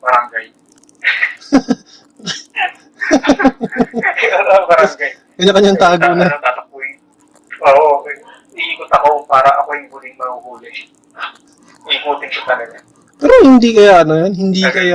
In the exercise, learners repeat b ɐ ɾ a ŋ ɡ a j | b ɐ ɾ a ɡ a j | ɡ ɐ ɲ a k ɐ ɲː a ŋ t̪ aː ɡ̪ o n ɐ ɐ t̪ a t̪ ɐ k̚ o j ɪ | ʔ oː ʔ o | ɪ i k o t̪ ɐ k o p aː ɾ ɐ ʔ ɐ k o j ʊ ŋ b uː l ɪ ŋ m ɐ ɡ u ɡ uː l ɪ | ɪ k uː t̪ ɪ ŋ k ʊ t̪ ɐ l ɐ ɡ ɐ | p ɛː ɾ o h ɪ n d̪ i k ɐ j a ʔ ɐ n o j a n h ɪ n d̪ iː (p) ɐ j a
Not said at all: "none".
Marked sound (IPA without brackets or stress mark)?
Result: k